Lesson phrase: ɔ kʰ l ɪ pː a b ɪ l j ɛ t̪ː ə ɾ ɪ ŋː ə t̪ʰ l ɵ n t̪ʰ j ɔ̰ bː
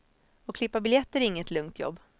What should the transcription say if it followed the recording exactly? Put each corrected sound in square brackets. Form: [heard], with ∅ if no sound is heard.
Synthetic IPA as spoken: ɔ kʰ l ɪ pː a b ɪ l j ɛ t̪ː ə ɾ ɪ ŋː ə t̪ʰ l ɵ [ŋ] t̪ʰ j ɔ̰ bː